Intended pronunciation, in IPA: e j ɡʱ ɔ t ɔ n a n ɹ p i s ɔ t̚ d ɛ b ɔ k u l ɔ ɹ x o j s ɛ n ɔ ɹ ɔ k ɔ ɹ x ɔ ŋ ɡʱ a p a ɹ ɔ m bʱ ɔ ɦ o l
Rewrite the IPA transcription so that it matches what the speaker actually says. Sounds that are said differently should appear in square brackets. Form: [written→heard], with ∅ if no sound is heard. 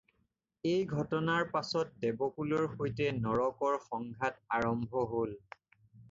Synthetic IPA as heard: e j ɡʱ ɔ t ɔ n a [n→∅] ɹ p [i→a] s ɔ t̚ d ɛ b ɔ k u l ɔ ɹ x o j [s→t] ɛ n ɔ ɹ ɔ k ɔ ɹ x ɔ ŋ ɡʱ a [p→t] a ɹ ɔ m bʱ ɔ ɦ o l